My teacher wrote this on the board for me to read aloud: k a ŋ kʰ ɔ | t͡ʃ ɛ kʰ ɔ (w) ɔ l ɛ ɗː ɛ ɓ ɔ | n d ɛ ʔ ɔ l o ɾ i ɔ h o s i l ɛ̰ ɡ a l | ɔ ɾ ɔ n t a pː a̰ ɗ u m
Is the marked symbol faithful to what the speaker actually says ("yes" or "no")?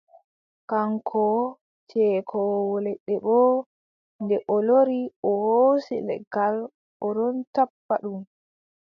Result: yes